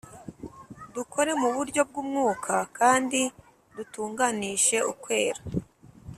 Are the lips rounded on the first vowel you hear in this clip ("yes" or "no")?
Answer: yes